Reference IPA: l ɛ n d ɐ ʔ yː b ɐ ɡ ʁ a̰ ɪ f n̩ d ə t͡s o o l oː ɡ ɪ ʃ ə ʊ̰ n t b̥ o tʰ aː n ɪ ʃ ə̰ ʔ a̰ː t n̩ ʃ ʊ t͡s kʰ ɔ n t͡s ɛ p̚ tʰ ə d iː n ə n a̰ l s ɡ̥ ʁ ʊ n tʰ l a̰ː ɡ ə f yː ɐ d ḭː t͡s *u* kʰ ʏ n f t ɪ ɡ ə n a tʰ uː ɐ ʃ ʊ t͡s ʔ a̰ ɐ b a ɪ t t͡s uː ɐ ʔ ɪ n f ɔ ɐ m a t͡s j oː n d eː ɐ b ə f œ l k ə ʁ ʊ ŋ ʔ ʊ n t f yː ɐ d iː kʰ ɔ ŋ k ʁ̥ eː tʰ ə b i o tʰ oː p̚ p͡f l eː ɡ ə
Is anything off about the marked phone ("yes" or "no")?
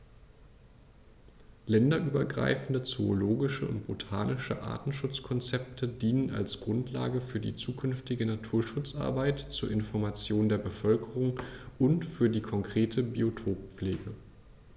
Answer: yes